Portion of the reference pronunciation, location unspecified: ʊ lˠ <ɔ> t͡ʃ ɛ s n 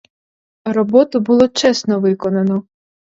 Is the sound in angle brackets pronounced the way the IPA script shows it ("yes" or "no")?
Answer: yes